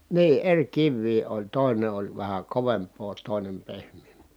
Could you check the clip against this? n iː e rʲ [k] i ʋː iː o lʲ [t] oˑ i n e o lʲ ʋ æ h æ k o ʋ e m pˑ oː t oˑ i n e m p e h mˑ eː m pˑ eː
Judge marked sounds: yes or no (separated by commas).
yes, yes